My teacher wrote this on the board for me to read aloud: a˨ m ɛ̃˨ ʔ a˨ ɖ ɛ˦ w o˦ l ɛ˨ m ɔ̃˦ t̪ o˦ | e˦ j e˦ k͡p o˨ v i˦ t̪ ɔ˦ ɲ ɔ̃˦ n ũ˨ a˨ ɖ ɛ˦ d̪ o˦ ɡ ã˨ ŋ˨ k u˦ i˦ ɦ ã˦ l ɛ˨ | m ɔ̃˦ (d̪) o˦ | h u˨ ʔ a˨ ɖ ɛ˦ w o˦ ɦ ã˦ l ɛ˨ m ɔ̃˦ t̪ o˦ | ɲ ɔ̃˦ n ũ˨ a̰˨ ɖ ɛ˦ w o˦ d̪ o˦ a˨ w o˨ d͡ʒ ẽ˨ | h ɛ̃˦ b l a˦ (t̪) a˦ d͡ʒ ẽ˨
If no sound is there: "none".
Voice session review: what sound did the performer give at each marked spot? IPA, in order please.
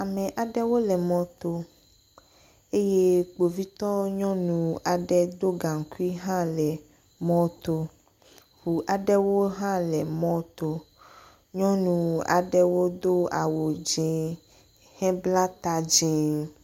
t̪, t̪

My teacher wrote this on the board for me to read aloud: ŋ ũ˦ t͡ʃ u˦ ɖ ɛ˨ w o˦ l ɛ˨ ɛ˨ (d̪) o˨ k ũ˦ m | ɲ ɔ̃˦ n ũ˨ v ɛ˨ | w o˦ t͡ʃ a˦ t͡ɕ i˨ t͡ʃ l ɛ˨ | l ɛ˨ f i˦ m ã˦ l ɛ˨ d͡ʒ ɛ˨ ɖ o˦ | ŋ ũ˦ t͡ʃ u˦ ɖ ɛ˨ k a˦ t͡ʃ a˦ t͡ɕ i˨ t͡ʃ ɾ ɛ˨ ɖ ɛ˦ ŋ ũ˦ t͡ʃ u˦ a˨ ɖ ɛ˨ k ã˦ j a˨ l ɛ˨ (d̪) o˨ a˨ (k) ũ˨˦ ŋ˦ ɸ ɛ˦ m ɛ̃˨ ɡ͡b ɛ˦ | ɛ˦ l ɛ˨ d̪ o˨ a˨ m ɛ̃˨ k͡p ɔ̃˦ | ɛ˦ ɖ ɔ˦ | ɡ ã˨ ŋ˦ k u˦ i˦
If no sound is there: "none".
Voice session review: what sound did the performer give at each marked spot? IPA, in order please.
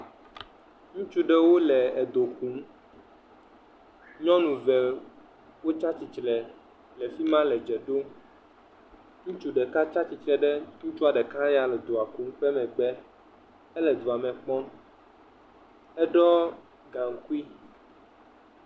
d̪, d̪, k

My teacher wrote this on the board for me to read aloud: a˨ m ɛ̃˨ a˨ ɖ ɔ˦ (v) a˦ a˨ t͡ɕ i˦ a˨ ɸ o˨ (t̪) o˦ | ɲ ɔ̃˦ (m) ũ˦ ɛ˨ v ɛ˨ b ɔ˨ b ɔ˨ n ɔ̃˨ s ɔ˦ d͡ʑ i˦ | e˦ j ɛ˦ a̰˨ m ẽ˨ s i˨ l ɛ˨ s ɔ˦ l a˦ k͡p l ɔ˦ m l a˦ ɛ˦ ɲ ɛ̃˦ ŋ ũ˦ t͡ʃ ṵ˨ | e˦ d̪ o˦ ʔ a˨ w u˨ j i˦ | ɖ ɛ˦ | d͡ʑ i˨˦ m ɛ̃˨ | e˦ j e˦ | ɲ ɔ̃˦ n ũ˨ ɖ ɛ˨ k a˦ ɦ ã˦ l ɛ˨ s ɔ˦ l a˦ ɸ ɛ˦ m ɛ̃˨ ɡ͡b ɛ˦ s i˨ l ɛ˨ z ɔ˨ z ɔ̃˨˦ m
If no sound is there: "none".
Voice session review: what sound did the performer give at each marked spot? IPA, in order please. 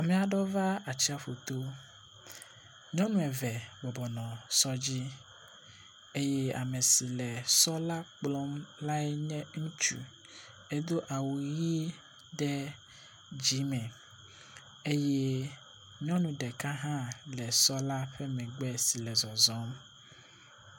v, t̪, n

